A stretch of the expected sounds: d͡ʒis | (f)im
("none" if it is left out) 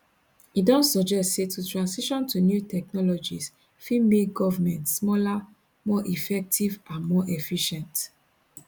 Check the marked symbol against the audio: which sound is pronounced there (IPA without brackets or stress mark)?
f